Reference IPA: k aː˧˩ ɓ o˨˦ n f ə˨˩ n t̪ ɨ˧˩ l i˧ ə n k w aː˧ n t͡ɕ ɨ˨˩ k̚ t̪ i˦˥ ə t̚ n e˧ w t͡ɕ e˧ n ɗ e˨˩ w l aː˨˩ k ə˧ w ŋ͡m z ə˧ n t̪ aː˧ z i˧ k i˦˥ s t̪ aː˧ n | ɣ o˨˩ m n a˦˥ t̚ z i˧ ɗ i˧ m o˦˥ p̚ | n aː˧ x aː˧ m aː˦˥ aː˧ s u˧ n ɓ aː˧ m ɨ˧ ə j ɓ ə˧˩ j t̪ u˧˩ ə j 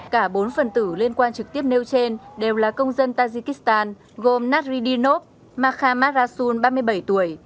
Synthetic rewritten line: k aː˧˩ ɓ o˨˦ n f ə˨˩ n t̪ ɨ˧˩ l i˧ ə n k w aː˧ n t͡ɕ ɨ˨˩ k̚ t̪ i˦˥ ə p̚ n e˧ w t͡ɕ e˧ n ɗ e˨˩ w l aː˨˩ k ə˧ w ŋ͡m z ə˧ n t̪ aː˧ z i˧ k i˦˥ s t̪ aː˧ n | ɣ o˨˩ m n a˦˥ t̚ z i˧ ɗ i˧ n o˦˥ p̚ | m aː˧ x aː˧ m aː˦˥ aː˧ s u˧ n ɓ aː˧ m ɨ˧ ə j ɓ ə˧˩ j t̪ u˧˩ ə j